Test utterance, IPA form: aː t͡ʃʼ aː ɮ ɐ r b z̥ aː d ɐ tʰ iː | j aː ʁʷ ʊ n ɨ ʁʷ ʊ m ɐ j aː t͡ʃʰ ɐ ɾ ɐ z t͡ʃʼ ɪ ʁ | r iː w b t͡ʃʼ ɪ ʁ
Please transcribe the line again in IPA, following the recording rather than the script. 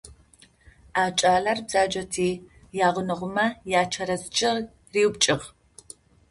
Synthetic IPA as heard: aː t͡ʃʼ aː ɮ ɐ r b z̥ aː d͡ʒ ɐ tʰ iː | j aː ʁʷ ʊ n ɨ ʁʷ ʊ m ɐ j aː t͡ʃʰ ɐ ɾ ɐ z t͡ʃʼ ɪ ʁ | r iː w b t͡ʃʼ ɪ ʁ